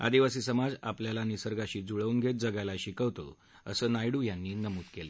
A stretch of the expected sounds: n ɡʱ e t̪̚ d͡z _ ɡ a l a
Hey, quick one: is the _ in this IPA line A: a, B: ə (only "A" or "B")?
B